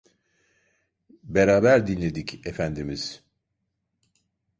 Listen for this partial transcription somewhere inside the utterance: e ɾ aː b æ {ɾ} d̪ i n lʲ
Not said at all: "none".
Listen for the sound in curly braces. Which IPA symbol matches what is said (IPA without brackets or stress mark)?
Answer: ɾ